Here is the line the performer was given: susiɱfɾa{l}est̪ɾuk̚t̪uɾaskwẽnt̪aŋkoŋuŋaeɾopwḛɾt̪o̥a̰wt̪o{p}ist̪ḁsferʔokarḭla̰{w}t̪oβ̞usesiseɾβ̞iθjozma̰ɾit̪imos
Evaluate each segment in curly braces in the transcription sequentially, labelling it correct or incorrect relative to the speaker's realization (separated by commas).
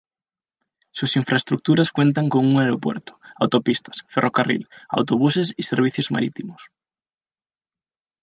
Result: incorrect, correct, correct